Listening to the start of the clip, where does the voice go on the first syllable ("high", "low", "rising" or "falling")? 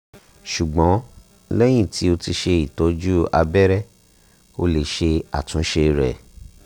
low